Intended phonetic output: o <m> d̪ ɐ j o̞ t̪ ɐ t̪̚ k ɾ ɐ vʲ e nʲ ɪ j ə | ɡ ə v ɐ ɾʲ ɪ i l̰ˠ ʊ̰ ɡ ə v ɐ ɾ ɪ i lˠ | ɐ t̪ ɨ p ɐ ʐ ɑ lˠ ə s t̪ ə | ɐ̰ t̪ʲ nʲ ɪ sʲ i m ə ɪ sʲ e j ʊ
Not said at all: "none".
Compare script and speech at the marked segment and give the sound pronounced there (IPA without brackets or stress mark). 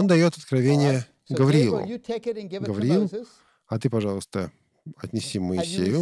n